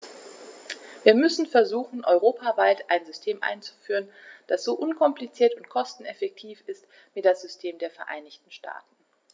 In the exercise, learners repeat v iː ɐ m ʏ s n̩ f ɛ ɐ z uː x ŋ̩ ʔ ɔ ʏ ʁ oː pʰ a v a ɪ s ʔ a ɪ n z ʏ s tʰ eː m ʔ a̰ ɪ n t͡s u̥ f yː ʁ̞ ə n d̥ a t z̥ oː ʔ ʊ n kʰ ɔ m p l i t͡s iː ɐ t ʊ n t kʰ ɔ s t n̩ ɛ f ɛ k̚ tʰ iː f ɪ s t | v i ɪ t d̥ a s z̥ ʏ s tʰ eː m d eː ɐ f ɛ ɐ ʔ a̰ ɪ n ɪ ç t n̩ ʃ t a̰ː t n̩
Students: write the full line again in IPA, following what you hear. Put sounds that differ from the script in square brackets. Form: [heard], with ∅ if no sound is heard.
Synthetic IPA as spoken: v iː ɐ m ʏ s n̩ f ɛ ɐ z uː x [n̩] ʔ ɔ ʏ ʁ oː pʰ a v a ɪ [t] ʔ a ɪ n z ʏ s tʰ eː m ʔ a̰ ɪ n t͡s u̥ f yː ʁ̞ ə n d̥ a [s] z̥ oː ʔ ʊ n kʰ ɔ m p l i t͡s iː ɐ t ʊ n t kʰ ɔ s t n̩ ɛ f ɛ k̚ tʰ iː f ɪ s t | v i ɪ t d̥ a s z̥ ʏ s tʰ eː m d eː ɐ f ɛ ɐ ʔ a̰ ɪ n ɪ ç t n̩ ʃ t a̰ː t n̩

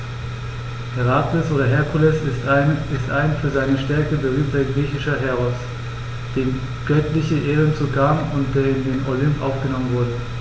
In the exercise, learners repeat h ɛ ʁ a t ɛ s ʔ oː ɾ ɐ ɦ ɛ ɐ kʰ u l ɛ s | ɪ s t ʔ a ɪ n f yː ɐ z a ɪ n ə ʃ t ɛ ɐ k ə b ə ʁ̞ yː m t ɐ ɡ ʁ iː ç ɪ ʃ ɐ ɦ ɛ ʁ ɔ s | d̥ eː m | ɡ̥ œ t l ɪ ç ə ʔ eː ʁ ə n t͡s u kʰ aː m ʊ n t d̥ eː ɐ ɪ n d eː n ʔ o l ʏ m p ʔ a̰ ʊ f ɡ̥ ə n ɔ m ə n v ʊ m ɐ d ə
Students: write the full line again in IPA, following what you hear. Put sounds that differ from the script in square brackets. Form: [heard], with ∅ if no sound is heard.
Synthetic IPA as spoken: h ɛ ʁ a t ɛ s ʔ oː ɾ ɐ ɦ ɛ ɐ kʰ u l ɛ s | ɪ s t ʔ a ɪ n f yː ɐ z a ɪ n ə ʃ t ɛ ɐ k ə b ə ʁ̞ yː m t ɐ ɡ ʁ iː ç ɪ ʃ ɐ ɦ ɛ ʁ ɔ s | d̥ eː m | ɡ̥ œ t l ɪ ç ə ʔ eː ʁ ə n t͡s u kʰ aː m ʊ n t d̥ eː ɐ ɪ n d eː n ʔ o l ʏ m p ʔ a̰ ʊ f ɡ̥ ə n ɔ m ə n v ʊ [∅] ɐ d ə

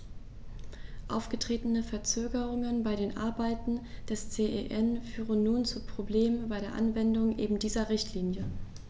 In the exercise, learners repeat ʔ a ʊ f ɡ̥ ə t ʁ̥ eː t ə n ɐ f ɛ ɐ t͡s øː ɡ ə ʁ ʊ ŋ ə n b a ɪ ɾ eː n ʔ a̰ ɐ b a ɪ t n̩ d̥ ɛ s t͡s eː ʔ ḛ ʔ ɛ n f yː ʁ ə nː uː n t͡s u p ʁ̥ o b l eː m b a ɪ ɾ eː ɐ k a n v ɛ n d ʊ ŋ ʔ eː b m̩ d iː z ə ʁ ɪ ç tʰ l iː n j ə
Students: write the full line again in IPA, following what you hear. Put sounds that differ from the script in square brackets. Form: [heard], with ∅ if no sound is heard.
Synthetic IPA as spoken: ʔ a ʊ f ɡ̥ ə t ʁ̥ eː t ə n [ə] f ɛ ɐ t͡s øː ɡ ə ʁ ʊ ŋ ə n b a ɪ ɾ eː n ʔ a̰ ɐ b a ɪ t n̩ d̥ ɛ s t͡s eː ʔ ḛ ʔ ɛ n f yː ʁ ə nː uː n t͡s u p ʁ̥ o b l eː m b a ɪ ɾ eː ɐ [ʔ] a n v ɛ n d ʊ ŋ ʔ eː b m̩ d iː z [ɐ] ʁ ɪ ç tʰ l iː n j ə

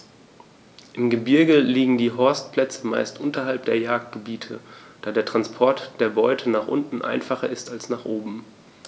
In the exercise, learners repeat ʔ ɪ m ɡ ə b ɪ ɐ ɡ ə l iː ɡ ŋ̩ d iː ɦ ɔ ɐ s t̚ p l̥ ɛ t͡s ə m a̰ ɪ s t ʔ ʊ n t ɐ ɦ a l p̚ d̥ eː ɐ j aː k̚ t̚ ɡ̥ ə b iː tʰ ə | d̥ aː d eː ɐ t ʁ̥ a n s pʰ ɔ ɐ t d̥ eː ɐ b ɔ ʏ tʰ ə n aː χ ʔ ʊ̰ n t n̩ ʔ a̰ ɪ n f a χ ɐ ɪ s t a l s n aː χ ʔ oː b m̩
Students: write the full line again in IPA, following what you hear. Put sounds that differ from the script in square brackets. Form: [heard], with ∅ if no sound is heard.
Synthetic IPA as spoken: ʔ ɪ m ɡ ə b ɪ ɐ ɡ ə l iː ɡ ŋ̩ d iː ɦ ɔ ɐ s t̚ p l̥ ɛ t͡s ə m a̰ ɪ s t ʔ ʊ n t ɐ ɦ a l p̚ d̥ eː ɐ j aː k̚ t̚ ɡ̥ ə b iː tʰ ə | d̥ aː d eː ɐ t ʁ̥ a n s pʰ ɔ ɐ t d̥ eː ɐ b ɔ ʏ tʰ ə n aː χ ʔ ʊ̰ n t n̩ ʔ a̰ ɪ n f a χ ɐ ɪ s t a l s n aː χ ʔ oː b m̩

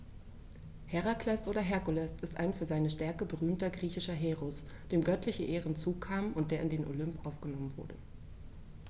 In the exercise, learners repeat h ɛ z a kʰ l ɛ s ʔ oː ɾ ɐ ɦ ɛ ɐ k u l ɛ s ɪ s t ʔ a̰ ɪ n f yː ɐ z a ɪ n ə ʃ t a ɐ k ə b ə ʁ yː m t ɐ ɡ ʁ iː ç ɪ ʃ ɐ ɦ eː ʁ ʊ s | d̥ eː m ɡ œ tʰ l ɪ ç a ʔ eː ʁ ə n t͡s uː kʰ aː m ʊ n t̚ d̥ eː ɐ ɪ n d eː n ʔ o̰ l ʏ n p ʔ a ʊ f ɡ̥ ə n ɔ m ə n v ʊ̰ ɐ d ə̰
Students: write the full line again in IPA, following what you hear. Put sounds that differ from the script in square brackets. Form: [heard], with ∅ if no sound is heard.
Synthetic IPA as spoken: h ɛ [ʁ] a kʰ l ɛ s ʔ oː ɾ ɐ ɦ ɛ ɐ k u l ɛ s ɪ s t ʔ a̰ ɪ n f yː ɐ z a ɪ n ə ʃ t [ɛ] ɐ k ə b ə ʁ yː m t ɐ ɡ ʁ iː ç ɪ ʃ ɐ ɦ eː ʁ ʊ s | d̥ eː m ɡ œ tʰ l ɪ ç [ə] ʔ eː ʁ ə n t͡s uː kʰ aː m ʊ n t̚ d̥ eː ɐ ɪ n d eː n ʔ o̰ l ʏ [m] p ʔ a ʊ f ɡ̥ ə n ɔ m ə n v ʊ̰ ɐ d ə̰

